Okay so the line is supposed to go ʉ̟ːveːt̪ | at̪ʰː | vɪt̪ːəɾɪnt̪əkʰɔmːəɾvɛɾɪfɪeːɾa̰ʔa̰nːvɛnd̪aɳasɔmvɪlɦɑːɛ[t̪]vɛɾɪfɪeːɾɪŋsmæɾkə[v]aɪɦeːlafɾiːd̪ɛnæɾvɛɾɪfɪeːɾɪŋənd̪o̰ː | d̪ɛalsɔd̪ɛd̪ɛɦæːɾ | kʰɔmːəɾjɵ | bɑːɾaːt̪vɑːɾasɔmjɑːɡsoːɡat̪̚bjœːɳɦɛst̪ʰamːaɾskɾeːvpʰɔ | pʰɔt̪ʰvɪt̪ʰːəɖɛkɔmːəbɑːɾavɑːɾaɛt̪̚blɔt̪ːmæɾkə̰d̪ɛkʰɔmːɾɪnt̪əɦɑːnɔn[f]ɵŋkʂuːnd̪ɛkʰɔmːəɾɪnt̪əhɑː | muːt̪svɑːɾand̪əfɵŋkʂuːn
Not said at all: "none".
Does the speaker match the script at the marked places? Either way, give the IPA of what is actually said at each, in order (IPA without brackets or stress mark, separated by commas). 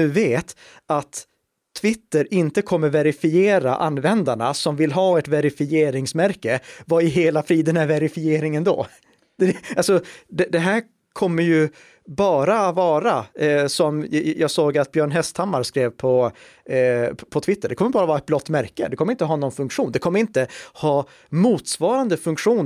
t̪, v, f